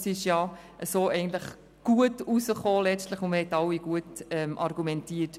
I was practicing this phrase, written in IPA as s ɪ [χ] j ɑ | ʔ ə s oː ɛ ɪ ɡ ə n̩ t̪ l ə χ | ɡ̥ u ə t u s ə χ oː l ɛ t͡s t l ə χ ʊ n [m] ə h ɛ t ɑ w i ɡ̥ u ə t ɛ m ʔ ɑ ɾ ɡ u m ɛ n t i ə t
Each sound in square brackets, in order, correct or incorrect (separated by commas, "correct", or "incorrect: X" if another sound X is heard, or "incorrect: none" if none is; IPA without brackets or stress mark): incorrect: ʃ, correct